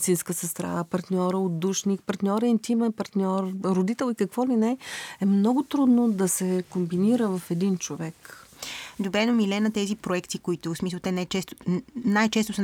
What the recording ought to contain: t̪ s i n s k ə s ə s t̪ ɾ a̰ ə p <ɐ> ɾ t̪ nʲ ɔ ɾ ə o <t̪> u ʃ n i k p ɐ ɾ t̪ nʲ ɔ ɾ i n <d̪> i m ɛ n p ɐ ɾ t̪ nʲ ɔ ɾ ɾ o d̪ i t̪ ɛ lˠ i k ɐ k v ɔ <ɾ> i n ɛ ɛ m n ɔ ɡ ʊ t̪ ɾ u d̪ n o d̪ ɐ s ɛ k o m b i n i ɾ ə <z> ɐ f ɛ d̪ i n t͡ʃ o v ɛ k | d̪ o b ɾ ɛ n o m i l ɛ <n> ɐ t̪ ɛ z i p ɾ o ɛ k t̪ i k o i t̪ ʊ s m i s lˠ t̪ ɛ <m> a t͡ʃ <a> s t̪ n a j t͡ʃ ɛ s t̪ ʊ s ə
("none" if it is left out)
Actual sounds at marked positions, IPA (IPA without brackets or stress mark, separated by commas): ɐ, d̪, t̪, l, v, n, n, ɛ